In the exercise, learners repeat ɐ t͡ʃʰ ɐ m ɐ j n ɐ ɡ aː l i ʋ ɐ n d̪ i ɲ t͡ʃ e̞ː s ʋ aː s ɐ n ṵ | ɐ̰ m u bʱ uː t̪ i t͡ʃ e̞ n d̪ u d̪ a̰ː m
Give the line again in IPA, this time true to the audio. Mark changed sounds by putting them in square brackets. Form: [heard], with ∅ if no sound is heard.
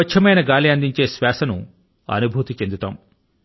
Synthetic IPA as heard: ɐ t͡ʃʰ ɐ m ɐ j n ɐ ɡ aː l i [∅] ɐ n d̪ i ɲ t͡ʃ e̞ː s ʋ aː s ɐ n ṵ | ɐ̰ [n] u bʱ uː t̪ i t͡ʃ e̞ n d̪ u [t̪] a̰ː m